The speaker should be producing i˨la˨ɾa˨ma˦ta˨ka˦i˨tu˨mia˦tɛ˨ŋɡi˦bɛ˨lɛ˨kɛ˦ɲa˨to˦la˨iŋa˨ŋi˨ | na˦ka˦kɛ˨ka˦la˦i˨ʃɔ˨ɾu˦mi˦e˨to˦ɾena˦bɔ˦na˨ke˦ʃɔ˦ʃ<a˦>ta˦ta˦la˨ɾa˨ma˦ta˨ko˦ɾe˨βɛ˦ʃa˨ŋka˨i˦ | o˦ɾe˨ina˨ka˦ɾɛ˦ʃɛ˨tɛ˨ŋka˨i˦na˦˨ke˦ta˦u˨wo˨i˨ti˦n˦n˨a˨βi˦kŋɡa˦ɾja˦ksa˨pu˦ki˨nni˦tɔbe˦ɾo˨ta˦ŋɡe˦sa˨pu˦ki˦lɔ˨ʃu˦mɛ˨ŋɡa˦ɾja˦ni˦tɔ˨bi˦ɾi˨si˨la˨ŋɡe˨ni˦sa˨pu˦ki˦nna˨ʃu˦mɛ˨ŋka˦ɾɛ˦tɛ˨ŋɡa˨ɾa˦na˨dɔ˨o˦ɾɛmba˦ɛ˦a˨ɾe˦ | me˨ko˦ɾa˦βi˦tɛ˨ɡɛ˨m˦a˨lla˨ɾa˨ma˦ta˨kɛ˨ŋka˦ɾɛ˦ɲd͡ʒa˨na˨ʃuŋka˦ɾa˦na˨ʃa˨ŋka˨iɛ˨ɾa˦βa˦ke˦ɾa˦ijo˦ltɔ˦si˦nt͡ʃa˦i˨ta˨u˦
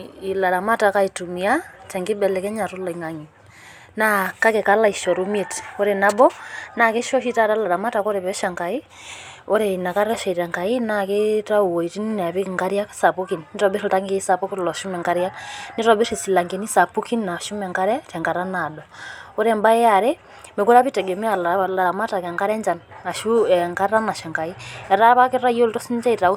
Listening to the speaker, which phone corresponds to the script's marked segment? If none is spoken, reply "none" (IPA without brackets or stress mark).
i˦